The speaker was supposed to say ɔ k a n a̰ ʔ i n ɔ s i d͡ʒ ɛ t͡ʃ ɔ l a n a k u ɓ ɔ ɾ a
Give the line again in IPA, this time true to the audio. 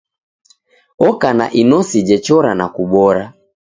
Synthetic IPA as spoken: ɔ k a n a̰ ʔ i n ɔ s i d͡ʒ ɛ t͡ʃ ɔ ɾ a n a k u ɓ ɔ ɾ a